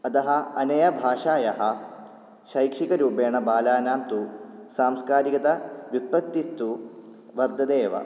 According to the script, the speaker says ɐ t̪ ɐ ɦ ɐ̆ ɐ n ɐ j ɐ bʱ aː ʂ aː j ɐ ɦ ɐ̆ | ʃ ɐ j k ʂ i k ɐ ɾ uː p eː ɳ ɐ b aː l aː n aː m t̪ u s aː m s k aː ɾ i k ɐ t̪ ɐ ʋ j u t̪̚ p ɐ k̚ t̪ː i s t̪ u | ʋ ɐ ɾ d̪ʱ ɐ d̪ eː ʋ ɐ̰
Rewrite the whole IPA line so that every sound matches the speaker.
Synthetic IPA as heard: ɐ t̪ ɐ ɦ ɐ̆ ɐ n ɐ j ɐ bʱ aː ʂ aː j ɐ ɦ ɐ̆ | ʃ ɐ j k ʂ i k ɐ ɾ uː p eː ɳ ɐ b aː l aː n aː m t̪ u s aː m s k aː ɾ i k ɐ t̪ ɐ ʋ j u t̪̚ p ɐ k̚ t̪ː i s t̪ u | ʋ ɐ ɾ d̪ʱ ɐ d̪ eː ʋ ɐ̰